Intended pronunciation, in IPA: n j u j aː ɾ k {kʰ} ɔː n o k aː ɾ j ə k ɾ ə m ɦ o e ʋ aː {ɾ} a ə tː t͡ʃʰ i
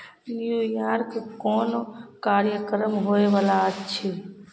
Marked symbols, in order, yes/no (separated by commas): no, no